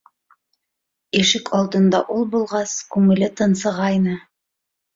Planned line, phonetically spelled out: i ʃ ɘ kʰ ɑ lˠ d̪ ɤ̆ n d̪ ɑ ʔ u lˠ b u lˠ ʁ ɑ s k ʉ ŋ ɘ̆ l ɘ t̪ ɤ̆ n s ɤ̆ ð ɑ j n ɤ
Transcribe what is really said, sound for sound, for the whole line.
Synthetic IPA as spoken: i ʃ ɘ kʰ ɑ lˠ d̪ ɤ̆ n d̪ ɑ ʔ u lˠ b u lˠ ʁ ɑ s k ʉ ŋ ɘ̆ l ɘ t̪ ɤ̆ n s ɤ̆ ʁ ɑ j n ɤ